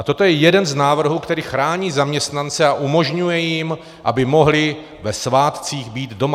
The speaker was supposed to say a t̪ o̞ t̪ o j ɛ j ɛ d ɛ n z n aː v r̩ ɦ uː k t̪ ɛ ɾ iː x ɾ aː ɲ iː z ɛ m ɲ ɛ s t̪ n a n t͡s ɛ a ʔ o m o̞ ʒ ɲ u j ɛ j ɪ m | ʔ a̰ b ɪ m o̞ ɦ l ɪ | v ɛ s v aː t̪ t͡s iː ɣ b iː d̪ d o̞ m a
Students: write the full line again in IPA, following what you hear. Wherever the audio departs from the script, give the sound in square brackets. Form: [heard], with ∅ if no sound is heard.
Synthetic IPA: a t̪ o̞ t̪ o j ɛ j ɛ d ɛ n z n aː v r̩ ɦ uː k t̪ ɛ ɾ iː x ɾ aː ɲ iː z [a] m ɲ ɛ s t̪ n a n t͡s ɛ a ʔ [u] m o̞ ʒ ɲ u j ɛ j ɪ m | ʔ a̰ b ɪ m o̞ ɦ l ɪ | v ɛ s v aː t̪ t͡s iː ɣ b iː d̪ d o̞ m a